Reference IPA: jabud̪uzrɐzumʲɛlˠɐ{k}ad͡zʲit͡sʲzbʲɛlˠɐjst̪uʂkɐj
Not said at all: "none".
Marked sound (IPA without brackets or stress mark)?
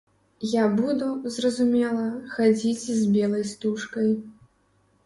x